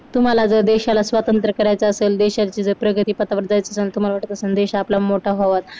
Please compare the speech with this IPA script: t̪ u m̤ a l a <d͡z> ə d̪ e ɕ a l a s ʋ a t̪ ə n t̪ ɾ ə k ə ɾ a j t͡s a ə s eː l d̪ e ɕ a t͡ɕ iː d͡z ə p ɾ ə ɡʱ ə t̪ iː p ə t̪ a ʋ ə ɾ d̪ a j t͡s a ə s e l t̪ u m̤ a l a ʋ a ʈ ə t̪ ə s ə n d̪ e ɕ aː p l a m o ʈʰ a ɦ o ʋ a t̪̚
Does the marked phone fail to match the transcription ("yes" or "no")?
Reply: no